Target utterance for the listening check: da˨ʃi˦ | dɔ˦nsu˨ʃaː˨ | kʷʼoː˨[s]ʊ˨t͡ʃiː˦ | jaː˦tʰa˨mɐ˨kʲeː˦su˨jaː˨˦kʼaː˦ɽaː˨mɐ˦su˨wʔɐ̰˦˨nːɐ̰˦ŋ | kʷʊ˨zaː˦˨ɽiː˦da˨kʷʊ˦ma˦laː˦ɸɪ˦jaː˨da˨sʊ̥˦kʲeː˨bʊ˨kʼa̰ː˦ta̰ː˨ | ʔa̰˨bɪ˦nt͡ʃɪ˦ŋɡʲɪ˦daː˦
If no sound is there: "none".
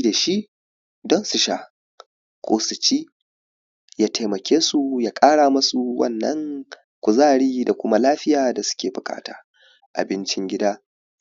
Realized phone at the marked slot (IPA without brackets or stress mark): s